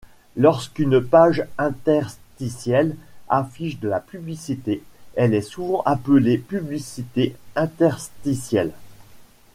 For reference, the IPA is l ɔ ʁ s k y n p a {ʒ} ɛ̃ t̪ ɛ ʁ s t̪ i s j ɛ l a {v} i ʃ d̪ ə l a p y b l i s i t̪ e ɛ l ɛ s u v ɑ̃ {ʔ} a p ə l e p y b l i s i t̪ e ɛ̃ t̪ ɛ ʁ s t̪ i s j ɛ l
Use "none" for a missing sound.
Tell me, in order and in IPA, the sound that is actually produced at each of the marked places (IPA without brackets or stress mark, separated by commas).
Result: ʒ, f, ʔ